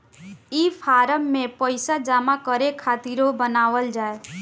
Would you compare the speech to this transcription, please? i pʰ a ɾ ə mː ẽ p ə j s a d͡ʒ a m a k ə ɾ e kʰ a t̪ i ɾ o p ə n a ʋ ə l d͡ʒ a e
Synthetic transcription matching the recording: i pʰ a ɾ ə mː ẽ p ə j s a d͡ʒ a m a k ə ɾ e kʰ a t̪ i ɾ o b ə n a ʋ ə l d͡ʒ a e

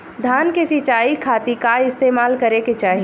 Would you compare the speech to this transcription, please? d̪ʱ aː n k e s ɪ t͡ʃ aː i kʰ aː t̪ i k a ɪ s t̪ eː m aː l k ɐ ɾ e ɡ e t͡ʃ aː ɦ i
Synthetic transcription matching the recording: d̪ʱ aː n k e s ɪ t͡ʃ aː i kʰ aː t̪ i k a ɪ s t̪ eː m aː l k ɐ ɾ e k e t͡ʃ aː ɦ i

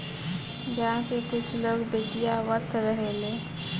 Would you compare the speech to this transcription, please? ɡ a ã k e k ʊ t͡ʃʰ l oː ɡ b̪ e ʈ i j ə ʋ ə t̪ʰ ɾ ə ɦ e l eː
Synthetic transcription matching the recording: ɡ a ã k e k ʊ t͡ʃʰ l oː ɡ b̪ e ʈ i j a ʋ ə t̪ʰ ɾ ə ɦ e l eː

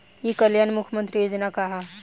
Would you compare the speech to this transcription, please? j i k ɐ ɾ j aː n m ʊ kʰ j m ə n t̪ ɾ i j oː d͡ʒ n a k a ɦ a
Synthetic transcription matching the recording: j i k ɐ l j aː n m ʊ kʰ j m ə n t̪ ɾ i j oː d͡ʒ n a k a ɦ a

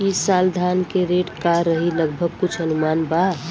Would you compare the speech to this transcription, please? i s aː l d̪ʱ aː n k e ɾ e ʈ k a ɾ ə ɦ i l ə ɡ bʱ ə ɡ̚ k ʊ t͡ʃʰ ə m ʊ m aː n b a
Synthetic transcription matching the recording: i s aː l d̪ʱ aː n k e ɾ e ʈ k a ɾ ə ɦ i l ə ɡ bʱ ə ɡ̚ k ʊ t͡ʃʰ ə n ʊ m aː n b a

